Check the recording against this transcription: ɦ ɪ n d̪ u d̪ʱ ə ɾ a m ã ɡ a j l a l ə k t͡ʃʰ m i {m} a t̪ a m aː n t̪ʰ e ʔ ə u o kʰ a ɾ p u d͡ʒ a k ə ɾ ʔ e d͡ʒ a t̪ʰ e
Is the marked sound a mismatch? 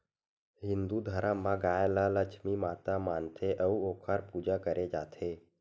no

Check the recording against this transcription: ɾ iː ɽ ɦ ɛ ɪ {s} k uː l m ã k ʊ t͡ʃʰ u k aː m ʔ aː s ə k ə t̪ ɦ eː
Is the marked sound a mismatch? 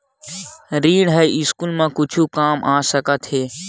no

